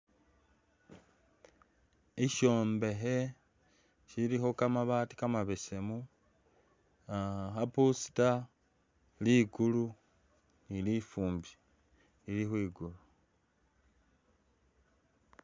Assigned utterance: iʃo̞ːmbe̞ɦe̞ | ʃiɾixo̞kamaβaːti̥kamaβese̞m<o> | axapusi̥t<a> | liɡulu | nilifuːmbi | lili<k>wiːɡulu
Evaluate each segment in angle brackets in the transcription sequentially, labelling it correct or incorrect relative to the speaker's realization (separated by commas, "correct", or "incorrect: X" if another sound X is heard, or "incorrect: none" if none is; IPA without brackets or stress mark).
incorrect: u, correct, incorrect: x